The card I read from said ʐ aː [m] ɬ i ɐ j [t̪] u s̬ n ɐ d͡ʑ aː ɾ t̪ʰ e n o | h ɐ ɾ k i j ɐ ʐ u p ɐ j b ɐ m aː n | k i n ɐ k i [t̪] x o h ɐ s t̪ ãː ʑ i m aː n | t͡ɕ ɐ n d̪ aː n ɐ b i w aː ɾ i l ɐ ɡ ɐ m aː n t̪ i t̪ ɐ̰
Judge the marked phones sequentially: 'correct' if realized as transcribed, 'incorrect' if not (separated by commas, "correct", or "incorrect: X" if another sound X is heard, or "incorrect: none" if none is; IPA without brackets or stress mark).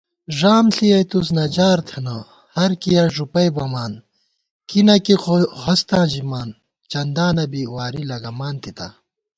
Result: correct, correct, incorrect: none